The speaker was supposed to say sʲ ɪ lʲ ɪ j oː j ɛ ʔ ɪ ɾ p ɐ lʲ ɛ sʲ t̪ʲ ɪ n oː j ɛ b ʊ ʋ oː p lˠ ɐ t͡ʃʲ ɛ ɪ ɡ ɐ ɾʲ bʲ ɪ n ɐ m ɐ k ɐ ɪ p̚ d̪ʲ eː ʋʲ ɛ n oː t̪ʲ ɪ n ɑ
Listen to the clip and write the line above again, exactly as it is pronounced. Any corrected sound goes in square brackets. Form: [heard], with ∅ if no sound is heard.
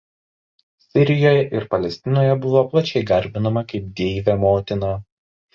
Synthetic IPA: sʲ ɪ [ɾʲ] ɪ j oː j ɛ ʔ ɪ ɾ p ɐ lʲ ɛ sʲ t̪ʲ ɪ n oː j ɛ b ʊ ʋ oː p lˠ ɐ t͡ʃʲ ɛ ɪ ɡ ɐ ɾʲ bʲ ɪ n ɐ m ɐ k ɐ ɪ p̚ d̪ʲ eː ʋʲ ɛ [m] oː t̪ʲ ɪ n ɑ

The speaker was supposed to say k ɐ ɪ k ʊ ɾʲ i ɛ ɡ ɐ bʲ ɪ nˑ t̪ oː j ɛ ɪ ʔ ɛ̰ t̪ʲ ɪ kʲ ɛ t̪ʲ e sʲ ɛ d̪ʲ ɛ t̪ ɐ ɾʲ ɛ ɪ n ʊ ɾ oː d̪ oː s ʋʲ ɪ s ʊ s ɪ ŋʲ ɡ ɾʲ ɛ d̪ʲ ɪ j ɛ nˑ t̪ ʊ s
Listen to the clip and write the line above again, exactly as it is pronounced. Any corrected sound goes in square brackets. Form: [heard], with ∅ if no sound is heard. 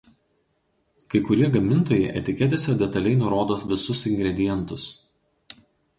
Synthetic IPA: k ɐ ɪ k ʊ ɾʲ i ɛ ɡ ɐ [mʲ] ɪ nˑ t̪ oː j ɛ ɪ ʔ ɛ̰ t̪ʲ ɪ kʲ ɛ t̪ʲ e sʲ ɛ d̪ʲ ɛ t̪ ɐ [lʲ] ɛ ɪ n ʊ ɾ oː d̪ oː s ʋʲ ɪ s ʊ s ɪ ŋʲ ɡ ɾʲ ɛ d̪ʲ ɪ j ɛ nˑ t̪ ʊ s

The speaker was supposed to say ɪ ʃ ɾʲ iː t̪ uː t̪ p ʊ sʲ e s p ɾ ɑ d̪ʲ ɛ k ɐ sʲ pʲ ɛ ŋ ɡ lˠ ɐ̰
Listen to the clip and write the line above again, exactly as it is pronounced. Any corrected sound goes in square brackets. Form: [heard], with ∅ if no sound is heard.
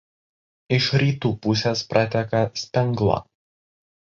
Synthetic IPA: ɪ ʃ ɾʲ iː t̪ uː [∅] p ʊ sʲ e s p ɾ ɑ [t̪ʲ] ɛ k ɐ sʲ pʲ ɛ ŋ ɡ lˠ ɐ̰

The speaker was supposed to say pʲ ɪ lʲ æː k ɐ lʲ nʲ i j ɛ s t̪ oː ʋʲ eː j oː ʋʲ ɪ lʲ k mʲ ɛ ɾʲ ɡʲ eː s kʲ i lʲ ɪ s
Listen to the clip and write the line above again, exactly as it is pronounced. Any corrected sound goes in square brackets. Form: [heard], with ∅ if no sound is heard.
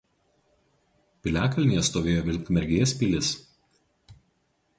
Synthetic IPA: pʲ ɪ lʲ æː k ɐ lʲ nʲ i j ɛ s t̪ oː ʋʲ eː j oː ʋʲ ɪ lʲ k mʲ ɛ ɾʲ ɡʲ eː s [pʲ] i lʲ ɪ s

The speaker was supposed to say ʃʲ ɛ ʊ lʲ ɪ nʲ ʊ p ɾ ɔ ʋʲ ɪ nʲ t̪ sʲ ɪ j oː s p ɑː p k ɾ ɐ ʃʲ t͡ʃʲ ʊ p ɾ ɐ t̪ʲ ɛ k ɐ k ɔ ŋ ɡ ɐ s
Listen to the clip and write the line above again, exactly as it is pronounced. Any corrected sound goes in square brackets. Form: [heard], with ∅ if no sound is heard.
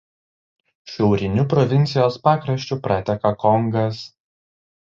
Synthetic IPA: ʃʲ ɛ ʊ [ɾʲ] ɪ nʲ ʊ p ɾ ɔ ʋʲ ɪ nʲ t̪ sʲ ɪ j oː s p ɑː [∅] k ɾ ɐ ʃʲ t͡ʃʲ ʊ p ɾ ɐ t̪ʲ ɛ k ɐ k ɔ ŋ ɡ ɐ s

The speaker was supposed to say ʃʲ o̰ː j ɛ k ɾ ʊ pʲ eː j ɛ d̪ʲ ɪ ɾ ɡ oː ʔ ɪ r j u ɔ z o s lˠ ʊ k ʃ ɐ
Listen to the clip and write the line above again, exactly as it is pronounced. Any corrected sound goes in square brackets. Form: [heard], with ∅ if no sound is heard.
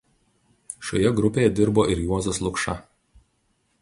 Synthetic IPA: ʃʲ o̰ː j ɛ [ɡ] ɾ ʊ pʲ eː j ɛ d̪ʲ ɪ ɾ [b] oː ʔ ɪ [ɾ] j u ɔ z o s lˠ ʊ k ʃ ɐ

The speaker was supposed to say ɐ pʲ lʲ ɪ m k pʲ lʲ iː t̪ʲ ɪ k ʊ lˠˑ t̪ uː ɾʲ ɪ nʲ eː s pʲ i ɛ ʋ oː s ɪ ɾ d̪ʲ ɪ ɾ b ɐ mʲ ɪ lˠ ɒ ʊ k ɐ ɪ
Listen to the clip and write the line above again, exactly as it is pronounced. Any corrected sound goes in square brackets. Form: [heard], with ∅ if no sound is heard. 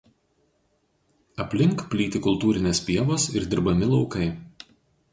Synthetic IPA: ɐ pʲ lʲ ɪ [ŋ] k pʲ lʲ iː t̪ʲ ɪ k ʊ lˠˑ t̪ uː ɾʲ ɪ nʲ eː s pʲ i ɛ ʋ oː s ɪ ɾ d̪ʲ ɪ ɾ b ɐ mʲ ɪ lˠ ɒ ʊ k ɐ ɪ

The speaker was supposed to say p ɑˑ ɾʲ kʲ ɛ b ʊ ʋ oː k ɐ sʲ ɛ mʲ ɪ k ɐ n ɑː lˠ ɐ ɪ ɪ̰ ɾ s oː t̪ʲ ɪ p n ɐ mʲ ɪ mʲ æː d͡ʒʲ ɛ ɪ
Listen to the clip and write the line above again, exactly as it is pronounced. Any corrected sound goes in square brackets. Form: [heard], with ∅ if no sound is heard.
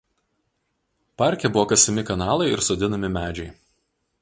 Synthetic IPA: p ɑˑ ɾʲ kʲ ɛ b ʊ ʋ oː k ɐ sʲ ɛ mʲ ɪ k ɐ n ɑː lˠ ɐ ɪ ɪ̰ ɾ s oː [d̪ʲ] ɪ [∅] n ɐ mʲ ɪ mʲ æː d͡ʒʲ ɛ ɪ

